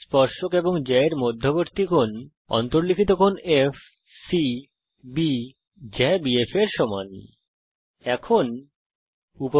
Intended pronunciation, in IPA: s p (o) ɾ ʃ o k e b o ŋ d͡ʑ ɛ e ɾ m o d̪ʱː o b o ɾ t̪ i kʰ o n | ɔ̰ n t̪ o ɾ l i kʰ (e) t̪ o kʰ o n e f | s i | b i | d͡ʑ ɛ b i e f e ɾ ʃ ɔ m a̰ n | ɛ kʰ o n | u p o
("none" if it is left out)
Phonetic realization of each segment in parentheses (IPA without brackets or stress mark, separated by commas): ɔ, i